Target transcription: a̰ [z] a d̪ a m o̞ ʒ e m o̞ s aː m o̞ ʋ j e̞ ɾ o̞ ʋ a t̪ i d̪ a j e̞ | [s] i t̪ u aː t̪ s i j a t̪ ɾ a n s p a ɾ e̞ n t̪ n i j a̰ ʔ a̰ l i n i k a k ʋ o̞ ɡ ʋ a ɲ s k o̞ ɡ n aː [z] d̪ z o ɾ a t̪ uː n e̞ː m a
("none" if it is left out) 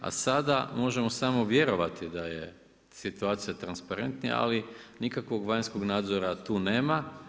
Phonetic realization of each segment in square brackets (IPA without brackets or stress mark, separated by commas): s, s, none